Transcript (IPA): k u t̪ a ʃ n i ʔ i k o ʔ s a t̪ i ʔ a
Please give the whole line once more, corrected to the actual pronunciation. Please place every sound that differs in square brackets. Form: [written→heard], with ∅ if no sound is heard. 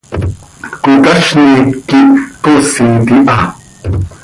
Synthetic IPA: k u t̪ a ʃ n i [ʔ→k] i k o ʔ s [a→i] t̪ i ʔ a